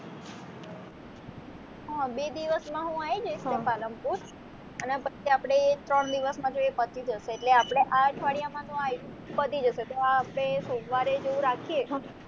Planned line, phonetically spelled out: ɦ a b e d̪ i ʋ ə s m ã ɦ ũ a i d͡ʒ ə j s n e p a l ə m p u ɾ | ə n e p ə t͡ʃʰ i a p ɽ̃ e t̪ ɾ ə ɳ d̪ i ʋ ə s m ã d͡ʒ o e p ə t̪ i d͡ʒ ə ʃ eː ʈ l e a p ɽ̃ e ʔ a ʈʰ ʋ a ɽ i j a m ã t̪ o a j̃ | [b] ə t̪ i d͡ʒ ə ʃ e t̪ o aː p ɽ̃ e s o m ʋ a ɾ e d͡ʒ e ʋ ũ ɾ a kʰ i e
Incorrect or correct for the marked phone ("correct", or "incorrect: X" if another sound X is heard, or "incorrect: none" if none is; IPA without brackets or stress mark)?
incorrect: p